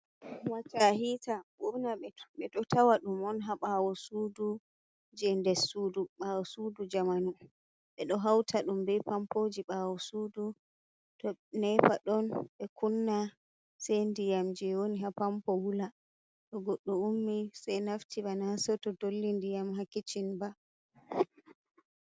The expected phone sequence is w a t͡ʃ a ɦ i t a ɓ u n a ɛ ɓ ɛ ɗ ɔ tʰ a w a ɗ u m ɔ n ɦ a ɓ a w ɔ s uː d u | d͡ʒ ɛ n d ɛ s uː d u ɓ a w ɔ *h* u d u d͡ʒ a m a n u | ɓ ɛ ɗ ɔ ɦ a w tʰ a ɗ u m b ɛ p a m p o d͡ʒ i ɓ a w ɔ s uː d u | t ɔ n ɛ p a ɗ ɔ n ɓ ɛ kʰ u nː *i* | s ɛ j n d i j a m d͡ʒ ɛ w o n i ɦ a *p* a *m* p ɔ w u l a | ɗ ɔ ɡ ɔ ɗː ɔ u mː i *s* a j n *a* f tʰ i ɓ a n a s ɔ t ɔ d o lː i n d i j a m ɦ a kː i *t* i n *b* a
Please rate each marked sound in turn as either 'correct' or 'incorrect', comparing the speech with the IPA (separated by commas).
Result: incorrect, incorrect, correct, correct, correct, correct, incorrect, correct